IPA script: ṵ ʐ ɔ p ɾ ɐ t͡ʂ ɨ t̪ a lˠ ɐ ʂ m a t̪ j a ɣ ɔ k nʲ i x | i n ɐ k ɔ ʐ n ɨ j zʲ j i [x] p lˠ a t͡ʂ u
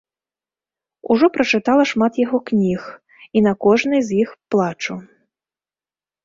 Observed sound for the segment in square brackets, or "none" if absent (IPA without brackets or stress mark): x